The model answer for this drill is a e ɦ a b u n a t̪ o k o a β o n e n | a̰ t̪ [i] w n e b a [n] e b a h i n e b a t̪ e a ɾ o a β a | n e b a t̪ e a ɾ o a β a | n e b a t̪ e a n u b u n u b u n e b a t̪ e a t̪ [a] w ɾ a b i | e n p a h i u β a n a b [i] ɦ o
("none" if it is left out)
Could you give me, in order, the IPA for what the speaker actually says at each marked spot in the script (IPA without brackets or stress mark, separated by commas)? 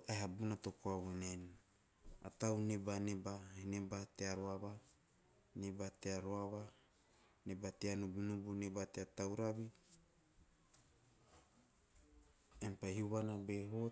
a, n, a, e